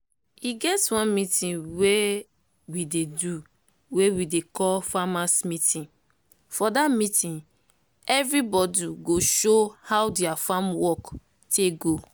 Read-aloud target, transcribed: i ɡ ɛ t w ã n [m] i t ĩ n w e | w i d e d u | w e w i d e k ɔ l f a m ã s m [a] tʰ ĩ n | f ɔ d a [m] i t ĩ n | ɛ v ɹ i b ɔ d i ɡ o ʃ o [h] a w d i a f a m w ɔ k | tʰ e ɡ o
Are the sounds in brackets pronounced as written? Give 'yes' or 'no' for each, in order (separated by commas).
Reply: yes, no, yes, yes